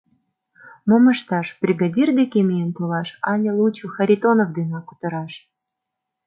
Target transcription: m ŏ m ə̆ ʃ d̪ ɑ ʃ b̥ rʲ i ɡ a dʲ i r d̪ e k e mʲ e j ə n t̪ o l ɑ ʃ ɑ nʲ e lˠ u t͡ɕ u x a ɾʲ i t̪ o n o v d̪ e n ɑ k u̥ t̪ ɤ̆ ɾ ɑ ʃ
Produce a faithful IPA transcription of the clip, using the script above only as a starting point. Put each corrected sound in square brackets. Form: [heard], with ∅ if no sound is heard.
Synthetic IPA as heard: m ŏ m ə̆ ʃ [t̪] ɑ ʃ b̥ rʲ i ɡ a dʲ i r d̪ e k e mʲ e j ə n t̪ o l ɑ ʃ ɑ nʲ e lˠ u t͡ɕ u x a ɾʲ i t̪ o n o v d̪ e n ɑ k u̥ t̪ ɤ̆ ɾ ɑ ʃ